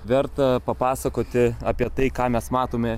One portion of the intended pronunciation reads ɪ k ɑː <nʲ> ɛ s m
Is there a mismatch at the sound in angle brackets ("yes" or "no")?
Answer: yes